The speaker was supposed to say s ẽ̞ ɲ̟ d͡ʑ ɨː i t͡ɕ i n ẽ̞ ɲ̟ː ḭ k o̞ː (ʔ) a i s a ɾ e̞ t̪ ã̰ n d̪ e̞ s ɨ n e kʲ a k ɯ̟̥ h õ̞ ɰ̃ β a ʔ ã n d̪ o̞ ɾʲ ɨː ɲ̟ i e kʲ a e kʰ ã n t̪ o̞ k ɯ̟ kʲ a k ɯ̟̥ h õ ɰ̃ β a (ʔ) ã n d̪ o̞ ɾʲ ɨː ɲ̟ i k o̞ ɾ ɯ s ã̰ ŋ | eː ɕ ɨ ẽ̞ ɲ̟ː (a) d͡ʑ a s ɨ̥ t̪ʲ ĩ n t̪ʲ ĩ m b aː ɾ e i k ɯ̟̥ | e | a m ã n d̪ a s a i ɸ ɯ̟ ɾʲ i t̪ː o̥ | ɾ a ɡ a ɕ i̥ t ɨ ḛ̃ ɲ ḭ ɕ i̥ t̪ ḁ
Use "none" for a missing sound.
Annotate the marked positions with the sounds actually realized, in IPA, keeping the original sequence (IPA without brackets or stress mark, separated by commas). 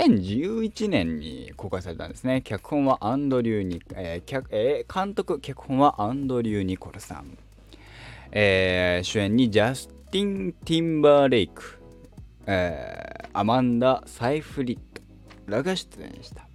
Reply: k, ʔ, i